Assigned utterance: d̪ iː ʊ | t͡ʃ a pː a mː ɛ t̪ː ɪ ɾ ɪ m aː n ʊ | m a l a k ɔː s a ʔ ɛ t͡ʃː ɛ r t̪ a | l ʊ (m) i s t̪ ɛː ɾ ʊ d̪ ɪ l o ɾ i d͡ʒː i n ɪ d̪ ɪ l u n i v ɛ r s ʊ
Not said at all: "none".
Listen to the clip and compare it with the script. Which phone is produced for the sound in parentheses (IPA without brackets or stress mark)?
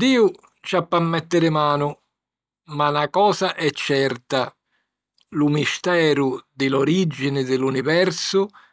m